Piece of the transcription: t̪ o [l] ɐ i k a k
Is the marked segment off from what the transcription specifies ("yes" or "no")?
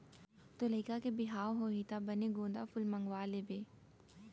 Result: no